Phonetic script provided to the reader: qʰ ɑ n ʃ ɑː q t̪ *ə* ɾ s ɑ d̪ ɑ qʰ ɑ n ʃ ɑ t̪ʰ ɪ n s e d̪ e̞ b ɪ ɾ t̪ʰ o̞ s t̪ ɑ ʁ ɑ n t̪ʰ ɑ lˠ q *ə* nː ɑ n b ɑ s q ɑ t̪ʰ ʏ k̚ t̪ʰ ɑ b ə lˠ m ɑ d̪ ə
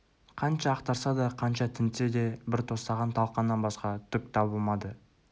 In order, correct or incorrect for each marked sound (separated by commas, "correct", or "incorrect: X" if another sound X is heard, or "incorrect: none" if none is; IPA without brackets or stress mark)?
incorrect: ɑ, incorrect: ɑ